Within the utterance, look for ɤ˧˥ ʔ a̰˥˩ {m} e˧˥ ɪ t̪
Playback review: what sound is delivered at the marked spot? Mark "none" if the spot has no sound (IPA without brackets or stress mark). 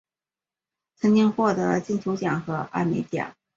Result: m